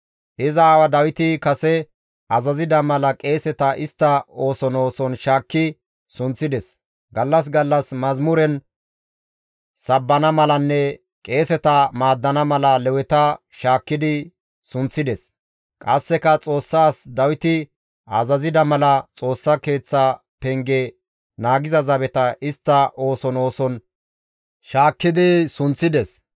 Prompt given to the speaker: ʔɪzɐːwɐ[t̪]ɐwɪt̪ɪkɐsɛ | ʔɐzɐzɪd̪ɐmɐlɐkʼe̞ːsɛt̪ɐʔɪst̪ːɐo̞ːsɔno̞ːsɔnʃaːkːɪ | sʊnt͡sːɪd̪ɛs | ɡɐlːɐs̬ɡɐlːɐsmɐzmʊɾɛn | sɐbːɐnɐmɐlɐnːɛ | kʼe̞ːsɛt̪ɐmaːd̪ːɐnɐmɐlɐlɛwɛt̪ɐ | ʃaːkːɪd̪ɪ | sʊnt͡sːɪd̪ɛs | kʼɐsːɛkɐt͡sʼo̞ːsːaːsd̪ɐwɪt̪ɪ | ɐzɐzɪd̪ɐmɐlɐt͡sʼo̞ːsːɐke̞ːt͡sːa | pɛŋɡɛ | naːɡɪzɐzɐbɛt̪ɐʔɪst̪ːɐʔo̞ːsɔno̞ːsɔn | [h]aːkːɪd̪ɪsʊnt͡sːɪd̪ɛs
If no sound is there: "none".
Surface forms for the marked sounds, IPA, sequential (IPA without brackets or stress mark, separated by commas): d̪, ʃ